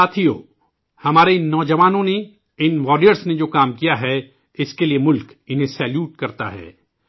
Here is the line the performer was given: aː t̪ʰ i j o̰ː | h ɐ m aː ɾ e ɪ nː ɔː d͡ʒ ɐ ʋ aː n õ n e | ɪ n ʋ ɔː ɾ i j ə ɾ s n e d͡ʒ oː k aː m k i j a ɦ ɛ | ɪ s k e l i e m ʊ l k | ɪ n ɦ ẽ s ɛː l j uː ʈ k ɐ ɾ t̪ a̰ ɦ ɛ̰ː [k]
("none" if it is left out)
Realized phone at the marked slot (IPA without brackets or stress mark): none